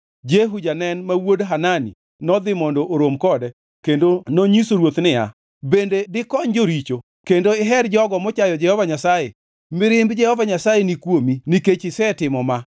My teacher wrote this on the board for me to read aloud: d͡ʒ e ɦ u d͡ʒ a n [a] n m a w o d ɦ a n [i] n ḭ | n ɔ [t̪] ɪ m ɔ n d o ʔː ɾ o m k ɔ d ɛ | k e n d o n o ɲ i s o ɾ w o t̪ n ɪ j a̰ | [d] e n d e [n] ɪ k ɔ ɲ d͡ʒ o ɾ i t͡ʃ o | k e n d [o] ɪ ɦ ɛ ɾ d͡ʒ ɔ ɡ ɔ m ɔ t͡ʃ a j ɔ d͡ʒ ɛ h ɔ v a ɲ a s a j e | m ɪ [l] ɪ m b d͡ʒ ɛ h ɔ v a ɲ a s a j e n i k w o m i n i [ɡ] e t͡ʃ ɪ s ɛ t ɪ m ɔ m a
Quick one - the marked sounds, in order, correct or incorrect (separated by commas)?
incorrect, incorrect, incorrect, incorrect, incorrect, correct, incorrect, incorrect